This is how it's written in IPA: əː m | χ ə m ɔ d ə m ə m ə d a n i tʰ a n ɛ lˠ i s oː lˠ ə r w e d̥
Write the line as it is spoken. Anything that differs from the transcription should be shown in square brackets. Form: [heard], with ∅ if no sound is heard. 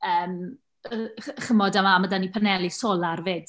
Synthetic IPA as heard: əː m | χ ə m ɔ d [a] m [a] m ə d a n i [pʰ] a n ɛ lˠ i s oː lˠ [a] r [v] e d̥

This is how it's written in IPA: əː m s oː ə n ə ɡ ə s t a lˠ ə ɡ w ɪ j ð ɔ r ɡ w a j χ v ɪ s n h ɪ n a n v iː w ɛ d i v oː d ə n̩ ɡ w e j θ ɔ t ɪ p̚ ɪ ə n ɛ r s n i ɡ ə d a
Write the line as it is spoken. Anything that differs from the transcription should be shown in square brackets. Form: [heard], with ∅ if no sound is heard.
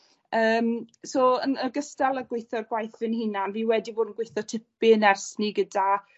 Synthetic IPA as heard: əː m s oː ə n ə ɡ ə s t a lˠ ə ɡ w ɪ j [θ] ɔ r ɡ w a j [θ] v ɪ [∅] n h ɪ n a n v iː w ɛ d i v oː d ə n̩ ɡ w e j θ ɔ [tʰ] ɪ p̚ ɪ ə n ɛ r s n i ɡ ə d a

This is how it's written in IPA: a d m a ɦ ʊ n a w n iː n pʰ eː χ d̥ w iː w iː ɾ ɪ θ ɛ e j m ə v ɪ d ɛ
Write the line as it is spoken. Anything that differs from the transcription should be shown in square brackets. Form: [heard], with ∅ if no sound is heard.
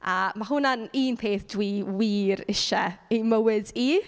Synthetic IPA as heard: a [∅] m a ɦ ʊ n a [∅] n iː n pʰ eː [θ] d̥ w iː w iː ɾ ɪ [ʃ] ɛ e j m ə [w] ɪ d [i]

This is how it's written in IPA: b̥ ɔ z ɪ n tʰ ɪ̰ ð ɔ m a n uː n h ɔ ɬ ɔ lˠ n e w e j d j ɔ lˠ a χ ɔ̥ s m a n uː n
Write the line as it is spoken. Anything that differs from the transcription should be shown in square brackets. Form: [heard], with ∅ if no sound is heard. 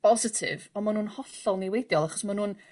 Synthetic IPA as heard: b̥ ɔ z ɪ [∅] tʰ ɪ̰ [v] ɔ m a n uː n h ɔ ɬ ɔ lˠ n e w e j d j ɔ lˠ a χ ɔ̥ s m a n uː n

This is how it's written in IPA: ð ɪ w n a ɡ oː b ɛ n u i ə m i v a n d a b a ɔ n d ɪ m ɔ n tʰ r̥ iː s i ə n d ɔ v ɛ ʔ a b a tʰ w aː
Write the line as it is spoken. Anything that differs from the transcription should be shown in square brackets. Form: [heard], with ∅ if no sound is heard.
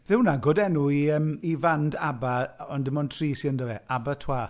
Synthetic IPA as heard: ð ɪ w n a ɡ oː [d] ɛ n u i ə m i v a n d a b a ɔ n d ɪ m ɔ n tʰ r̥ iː s i ə n d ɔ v ɛ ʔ a b a tʰ w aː

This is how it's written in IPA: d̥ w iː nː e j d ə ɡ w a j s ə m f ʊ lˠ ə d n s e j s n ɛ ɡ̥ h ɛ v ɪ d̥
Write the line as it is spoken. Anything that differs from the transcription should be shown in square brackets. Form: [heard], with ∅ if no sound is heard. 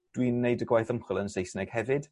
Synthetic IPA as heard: d̥ w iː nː e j d ə ɡ w a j [θ] ə m [χ] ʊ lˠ ə [∅] n s e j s n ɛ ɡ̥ h ɛ v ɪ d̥

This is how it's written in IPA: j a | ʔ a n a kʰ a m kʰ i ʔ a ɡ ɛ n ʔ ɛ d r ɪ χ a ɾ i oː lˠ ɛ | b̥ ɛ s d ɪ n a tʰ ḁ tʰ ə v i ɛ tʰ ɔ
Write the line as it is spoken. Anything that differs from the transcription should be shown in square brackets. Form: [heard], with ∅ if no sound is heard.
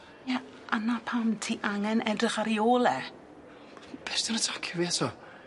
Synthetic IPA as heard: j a | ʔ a n a [pʰ] a m [tʰ] i ʔ a [ŋ] ɛ n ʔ ɛ d r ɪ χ a ɾ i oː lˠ ɛ | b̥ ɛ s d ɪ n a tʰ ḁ [kʰ] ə v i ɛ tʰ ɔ

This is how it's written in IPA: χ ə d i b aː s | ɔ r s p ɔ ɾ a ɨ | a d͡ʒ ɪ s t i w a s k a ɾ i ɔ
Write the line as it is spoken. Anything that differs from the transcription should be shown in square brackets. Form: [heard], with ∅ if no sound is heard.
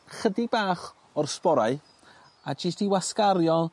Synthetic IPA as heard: χ ə d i b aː [χ] | ɔ r s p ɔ ɾ a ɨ | a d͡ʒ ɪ s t i w a s k a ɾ [j] ɔ

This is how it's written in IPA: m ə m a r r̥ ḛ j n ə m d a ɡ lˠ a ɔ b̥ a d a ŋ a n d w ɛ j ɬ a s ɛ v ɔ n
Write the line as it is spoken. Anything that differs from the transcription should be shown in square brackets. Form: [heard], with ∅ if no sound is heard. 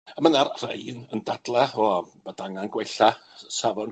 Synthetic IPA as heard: m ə [n] a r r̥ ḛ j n ə [n] d a [d] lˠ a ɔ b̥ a d a ŋ a n [ɡ] w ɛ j ɬ a s [a] v ɔ n

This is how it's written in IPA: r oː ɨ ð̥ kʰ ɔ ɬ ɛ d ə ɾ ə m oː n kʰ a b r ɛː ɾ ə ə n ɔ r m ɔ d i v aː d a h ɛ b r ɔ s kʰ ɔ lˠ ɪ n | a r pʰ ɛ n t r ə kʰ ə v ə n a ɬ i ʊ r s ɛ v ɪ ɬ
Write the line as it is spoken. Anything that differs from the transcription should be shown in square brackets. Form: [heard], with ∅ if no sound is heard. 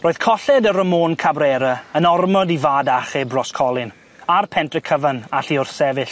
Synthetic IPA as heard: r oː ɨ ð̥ kʰ ɔ ɬ ɛ d ə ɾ ə m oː n kʰ a b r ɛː ɾ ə ə n ɔ r m ɔ d i v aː d a [χ] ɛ b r ɔ s kʰ ɔ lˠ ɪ n | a r pʰ ɛ n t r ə kʰ ə v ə n a ɬ i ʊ r s ɛ v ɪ ɬ

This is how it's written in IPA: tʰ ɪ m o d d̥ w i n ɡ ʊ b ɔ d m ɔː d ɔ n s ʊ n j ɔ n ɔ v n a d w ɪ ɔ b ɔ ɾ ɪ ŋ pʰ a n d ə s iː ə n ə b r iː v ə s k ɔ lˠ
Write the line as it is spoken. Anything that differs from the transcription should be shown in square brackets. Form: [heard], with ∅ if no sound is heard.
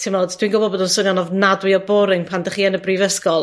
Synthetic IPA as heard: tʰ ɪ m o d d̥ w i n ɡ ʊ b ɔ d [b] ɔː d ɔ n s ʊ n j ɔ n ɔ v n a d w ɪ ɔ b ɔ ɾ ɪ ŋ pʰ a n d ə [χ] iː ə n ə b r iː v ə s k ɔ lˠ

